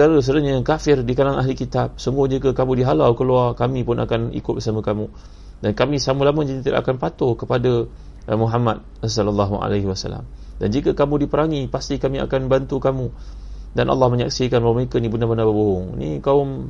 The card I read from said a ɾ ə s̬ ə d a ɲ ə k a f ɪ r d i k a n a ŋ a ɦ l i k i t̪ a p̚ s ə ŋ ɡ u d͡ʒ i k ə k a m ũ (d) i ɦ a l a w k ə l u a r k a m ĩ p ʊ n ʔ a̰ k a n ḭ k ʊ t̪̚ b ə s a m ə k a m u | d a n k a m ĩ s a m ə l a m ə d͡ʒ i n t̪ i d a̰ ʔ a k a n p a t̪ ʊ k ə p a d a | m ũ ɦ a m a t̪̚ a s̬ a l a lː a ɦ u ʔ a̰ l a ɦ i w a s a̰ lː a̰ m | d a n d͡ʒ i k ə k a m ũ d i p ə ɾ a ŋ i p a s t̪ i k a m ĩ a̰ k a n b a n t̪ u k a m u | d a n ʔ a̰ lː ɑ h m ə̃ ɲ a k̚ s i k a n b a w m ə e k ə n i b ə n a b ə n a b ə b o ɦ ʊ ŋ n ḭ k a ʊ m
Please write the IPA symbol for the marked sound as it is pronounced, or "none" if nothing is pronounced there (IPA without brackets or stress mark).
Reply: d